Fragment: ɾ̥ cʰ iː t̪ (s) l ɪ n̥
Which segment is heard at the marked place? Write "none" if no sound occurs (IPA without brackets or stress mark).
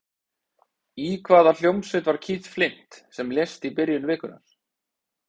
f